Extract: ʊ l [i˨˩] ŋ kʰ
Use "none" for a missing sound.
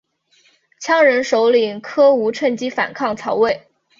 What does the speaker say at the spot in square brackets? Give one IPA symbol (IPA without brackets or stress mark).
i˨˩